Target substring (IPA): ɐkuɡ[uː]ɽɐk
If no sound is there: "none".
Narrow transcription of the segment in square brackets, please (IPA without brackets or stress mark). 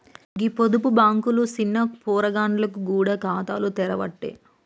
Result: uː